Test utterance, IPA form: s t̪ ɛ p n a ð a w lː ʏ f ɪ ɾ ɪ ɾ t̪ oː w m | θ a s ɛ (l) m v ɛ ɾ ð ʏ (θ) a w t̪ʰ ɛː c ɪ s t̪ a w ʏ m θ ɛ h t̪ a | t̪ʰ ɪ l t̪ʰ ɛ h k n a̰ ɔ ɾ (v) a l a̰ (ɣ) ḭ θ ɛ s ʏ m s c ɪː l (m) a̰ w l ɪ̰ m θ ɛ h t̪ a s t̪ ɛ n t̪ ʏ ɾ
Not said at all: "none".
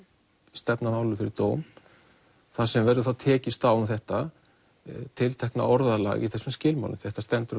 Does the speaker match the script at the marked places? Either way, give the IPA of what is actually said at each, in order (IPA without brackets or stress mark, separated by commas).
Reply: none, θ, ð, ɣ, m